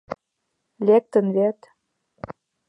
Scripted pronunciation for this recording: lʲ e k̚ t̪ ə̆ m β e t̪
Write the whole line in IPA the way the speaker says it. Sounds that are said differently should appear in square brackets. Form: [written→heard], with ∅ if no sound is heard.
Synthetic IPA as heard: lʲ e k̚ t̪ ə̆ [m→n] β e t̪